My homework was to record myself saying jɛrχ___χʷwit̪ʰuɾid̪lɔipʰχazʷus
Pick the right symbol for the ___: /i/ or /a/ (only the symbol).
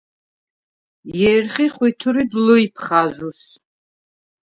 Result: i